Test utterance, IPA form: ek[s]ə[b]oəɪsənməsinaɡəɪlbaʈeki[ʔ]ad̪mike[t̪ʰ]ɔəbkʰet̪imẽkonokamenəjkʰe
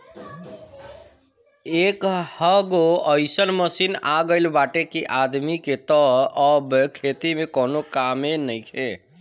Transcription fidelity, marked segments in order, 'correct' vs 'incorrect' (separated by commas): incorrect, incorrect, correct, incorrect